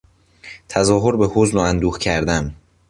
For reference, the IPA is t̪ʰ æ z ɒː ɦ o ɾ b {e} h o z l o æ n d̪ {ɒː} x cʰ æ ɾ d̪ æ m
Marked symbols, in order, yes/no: yes, no

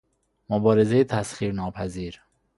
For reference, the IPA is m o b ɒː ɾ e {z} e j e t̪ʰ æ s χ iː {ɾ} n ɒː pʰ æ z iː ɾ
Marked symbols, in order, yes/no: yes, yes

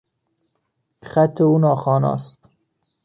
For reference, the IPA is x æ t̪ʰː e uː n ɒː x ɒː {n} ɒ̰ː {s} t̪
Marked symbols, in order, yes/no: yes, yes

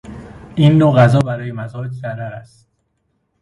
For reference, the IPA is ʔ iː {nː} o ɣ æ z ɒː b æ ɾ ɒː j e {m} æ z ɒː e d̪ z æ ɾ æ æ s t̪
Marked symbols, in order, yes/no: yes, yes

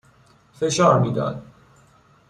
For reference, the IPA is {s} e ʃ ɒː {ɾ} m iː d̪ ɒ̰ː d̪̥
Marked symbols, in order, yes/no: no, yes

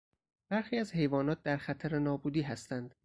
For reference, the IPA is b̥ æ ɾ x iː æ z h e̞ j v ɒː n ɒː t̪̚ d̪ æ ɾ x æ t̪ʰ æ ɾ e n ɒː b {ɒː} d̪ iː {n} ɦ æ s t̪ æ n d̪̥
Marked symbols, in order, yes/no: no, no

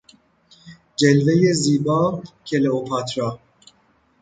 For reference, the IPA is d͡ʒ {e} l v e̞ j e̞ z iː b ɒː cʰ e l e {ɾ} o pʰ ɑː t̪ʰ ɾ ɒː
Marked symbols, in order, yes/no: yes, no

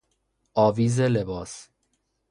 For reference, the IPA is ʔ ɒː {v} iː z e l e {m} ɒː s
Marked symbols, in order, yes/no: yes, no

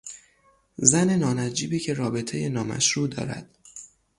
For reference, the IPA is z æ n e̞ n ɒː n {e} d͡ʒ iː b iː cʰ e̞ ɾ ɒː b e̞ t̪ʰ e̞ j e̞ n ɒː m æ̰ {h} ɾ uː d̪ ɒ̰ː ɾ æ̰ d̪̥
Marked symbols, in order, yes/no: no, no

